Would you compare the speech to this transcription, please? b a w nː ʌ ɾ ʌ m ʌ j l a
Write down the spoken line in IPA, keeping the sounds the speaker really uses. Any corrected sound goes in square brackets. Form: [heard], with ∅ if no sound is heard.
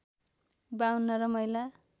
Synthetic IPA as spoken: b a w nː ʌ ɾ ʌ m ʌ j l a